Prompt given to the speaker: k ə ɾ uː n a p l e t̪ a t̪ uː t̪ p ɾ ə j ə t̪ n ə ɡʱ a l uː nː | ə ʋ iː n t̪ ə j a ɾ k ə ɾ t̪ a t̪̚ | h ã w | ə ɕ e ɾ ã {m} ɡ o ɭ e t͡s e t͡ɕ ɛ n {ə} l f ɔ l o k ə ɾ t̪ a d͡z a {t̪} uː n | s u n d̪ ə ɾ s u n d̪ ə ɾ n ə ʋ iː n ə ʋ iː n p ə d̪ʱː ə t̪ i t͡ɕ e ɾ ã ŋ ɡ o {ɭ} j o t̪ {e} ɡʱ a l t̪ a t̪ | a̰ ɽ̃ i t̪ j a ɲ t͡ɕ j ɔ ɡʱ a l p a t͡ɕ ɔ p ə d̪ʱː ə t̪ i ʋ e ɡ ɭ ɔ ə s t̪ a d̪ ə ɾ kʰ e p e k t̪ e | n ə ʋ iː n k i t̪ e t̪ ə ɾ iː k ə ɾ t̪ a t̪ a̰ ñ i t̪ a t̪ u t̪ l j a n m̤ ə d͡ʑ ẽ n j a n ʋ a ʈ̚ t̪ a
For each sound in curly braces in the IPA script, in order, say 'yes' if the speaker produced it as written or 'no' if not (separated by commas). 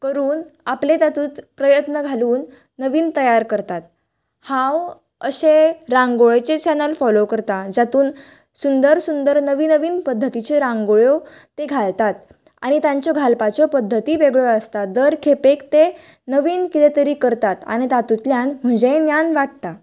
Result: no, yes, yes, yes, yes